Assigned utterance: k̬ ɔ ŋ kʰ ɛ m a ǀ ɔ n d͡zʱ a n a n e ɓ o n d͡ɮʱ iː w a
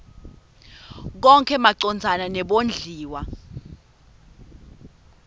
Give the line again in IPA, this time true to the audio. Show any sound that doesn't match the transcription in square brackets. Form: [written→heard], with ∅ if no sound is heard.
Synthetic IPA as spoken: k̬ ɔ ŋ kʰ ɛ m a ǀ ɔ n d͡zʱ a n a n [e→ɛ] ɓ o n d͡ɮʱ iː w a

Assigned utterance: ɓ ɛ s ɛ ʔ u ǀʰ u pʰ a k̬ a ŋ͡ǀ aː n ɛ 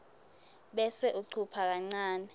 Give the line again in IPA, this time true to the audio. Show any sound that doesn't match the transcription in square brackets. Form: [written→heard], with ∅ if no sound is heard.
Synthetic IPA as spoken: ɓ ɛ s ɛ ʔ u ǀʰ u pʰ a k̬ a ŋ͡ǀ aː n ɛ

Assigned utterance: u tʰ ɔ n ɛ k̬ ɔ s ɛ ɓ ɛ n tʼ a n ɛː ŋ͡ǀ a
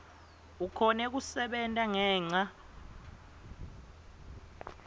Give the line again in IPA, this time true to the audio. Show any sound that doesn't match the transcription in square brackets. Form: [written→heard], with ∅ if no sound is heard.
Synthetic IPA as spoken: u [tʰ→kʰ] ɔ n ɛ k̬ [ɔ→u] s ɛ ɓ ɛ n tʼ a [n→ŋ] ɛː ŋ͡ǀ a

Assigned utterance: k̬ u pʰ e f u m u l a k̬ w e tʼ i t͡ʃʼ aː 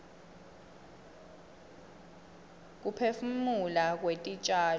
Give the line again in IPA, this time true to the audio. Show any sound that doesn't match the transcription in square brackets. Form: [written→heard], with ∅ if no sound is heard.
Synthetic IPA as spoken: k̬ u pʰ e f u m u l a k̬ w e tʼ i t͡ʃʼ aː

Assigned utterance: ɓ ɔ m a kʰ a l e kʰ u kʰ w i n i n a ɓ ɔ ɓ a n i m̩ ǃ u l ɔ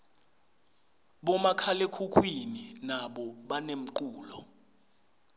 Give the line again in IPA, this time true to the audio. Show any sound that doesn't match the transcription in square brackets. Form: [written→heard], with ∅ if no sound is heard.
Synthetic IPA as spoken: ɓ ɔ m a kʰ a l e kʰ u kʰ w i n i n a ɓ ɔ ɓ a n [i→e] m̩ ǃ [u→uː] l ɔ

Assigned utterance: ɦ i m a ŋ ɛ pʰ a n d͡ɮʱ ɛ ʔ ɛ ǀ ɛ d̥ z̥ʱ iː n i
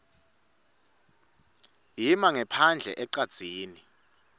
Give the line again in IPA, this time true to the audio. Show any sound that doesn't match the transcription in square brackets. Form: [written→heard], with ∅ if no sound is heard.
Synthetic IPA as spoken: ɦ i m a ŋ ɛ pʰ a n d͡ɮʱ ɛ ʔ ɛ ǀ [ɛ→a] d̥ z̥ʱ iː n i

